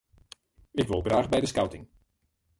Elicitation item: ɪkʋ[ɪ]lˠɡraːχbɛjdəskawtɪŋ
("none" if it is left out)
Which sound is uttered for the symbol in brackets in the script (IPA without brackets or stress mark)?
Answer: ɪ